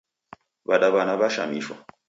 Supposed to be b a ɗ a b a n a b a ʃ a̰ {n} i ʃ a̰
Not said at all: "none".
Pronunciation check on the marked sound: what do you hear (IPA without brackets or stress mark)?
m